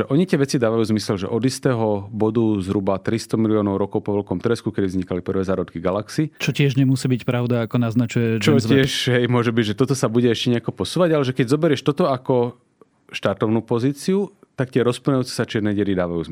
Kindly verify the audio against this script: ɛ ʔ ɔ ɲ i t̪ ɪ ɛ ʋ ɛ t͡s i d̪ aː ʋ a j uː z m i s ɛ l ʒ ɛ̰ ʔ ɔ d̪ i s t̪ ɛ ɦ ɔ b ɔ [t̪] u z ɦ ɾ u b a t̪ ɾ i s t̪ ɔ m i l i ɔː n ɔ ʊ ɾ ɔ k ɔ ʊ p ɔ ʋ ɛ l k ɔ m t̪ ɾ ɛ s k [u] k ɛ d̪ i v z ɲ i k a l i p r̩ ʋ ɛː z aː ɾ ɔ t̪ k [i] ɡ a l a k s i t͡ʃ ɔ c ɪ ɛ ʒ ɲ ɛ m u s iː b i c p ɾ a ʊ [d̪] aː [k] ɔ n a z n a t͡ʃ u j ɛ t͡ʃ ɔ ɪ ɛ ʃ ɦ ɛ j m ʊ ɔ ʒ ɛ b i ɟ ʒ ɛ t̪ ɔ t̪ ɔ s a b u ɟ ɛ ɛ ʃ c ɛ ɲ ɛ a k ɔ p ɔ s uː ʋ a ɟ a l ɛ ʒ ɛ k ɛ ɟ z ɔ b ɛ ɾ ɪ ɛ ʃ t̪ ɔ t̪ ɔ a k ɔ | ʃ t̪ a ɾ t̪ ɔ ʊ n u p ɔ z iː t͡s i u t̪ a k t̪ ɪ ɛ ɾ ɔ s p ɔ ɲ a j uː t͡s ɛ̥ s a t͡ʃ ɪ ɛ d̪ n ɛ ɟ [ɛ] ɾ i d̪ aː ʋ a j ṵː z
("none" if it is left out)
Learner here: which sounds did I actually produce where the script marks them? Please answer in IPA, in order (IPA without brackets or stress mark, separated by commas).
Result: d̪, u, i, d̪, k, ɛ